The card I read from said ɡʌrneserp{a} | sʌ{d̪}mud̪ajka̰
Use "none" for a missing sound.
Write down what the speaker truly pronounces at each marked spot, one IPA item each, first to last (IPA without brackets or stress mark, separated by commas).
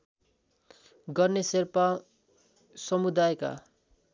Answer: a, none